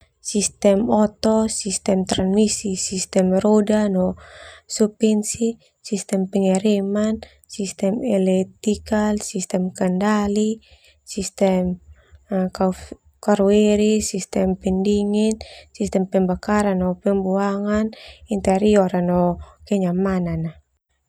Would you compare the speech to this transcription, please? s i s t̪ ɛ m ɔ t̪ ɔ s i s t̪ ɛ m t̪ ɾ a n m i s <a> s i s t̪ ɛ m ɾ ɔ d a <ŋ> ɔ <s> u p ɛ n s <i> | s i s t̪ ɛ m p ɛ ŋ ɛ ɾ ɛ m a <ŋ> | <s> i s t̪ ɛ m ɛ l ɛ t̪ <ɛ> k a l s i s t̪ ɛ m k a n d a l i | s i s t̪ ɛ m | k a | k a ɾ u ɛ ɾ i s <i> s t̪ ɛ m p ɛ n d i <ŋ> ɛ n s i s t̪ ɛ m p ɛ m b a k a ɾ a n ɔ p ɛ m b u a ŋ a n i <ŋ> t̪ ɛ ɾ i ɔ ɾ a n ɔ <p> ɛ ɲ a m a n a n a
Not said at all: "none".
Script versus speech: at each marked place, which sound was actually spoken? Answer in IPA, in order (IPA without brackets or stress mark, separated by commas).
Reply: i, n, s, i, n, s, i, i, ŋ, n, k